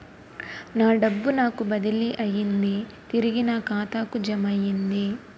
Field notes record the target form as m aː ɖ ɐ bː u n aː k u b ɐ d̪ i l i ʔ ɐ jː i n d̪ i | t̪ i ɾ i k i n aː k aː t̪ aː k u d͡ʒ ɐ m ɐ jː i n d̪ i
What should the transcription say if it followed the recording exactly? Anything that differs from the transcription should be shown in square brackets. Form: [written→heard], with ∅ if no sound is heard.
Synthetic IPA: [m→n] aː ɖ ɐ bː u n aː k u b ɐ d̪ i l i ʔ ɐ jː i n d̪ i | t̪ i ɾ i [k→ɡ] i n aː k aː t̪ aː k u d͡ʒ ɐ m ɐ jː i n d̪ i